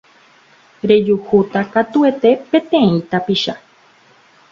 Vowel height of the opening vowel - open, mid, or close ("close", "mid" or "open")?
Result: mid